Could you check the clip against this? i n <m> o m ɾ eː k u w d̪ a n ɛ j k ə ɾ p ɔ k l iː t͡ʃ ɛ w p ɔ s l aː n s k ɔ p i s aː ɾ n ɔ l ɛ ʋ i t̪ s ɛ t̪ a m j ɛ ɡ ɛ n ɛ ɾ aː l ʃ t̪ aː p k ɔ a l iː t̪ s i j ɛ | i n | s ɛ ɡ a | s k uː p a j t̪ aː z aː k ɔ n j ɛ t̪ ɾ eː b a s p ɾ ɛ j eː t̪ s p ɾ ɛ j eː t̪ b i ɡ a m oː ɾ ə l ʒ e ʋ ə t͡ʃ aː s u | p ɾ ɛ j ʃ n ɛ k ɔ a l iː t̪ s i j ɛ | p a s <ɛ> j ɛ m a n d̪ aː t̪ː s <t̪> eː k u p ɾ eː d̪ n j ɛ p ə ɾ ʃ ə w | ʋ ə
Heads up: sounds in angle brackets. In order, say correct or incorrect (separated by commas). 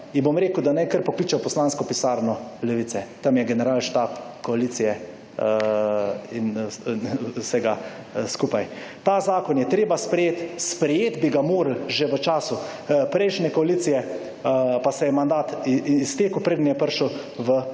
incorrect, correct, correct